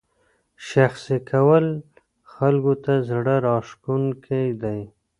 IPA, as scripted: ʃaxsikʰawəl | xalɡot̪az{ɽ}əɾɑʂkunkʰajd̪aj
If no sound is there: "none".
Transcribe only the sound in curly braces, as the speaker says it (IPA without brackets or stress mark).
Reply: ɽ